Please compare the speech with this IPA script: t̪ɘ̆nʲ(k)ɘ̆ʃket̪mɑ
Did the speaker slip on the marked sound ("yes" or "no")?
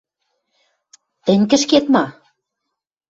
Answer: no